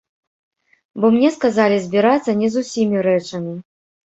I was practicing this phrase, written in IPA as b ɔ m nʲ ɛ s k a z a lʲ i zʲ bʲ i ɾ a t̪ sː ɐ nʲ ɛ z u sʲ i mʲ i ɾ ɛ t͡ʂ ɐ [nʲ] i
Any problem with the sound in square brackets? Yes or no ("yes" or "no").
yes